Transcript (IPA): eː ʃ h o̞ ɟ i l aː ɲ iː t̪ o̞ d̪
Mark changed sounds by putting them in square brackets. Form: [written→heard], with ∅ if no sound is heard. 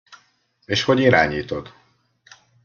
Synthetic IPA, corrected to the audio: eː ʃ h o̞ ɟ i [l→ɾ] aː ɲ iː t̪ o̞ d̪